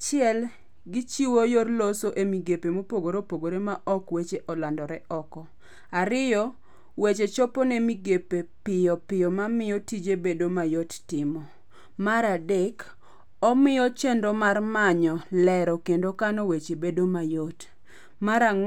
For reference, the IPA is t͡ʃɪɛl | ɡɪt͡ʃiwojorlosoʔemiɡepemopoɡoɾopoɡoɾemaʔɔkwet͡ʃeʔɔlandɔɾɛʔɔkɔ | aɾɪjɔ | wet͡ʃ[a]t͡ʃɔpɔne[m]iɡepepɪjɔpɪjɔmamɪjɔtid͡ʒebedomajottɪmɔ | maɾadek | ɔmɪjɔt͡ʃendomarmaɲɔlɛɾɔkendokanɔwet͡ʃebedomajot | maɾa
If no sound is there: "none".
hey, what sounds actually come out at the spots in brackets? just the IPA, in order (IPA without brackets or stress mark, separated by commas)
e, m